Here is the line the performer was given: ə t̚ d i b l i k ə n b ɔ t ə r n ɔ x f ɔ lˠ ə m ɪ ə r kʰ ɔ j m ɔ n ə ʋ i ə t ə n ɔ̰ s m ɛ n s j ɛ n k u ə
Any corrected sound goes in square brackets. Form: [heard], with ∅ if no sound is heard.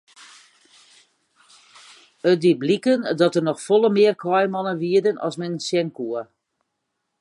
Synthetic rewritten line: ə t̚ d i b l i k ə n [d] ɔ t ə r n ɔ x f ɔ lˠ ə m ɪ ə r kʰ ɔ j m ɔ n ə ʋ i ə [d] ə n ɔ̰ s m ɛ n s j ɛ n k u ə